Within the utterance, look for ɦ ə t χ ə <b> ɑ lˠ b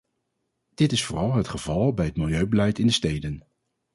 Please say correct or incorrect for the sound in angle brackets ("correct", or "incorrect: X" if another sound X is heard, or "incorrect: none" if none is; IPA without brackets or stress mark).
incorrect: v